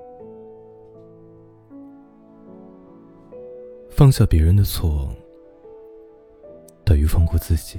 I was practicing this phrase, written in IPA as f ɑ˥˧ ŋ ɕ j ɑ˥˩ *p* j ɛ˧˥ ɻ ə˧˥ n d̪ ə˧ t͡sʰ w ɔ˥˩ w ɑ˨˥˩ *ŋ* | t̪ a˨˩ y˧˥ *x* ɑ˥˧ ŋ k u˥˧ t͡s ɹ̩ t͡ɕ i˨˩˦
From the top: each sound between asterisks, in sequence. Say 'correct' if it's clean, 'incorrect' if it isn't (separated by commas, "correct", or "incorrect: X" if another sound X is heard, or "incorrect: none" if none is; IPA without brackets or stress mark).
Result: correct, correct, incorrect: f